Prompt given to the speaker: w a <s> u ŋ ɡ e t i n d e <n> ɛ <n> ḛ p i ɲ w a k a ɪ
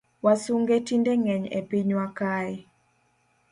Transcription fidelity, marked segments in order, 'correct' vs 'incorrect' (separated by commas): correct, incorrect, incorrect